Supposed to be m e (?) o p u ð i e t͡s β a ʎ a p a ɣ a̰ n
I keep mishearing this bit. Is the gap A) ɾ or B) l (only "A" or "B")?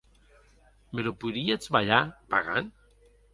B